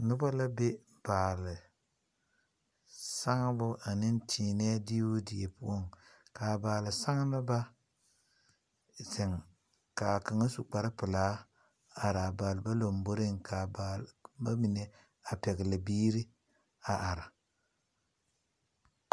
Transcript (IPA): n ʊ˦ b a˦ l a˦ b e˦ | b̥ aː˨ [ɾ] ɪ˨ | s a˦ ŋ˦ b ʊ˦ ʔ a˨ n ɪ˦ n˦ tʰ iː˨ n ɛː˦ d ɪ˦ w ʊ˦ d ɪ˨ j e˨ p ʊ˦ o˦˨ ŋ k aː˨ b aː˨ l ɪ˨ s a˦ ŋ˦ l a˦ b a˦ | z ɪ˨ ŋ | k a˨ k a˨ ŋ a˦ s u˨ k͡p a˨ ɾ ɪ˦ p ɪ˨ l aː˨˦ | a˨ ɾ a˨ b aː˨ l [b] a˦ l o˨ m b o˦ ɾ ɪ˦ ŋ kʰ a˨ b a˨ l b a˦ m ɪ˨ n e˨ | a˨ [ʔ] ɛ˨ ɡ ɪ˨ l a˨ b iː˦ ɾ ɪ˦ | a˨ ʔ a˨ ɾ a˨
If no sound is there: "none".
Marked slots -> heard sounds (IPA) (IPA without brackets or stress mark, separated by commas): l, b, p